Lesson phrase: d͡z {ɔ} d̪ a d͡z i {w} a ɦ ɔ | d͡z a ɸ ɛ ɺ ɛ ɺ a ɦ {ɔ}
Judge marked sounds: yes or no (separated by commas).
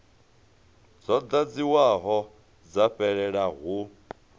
yes, yes, no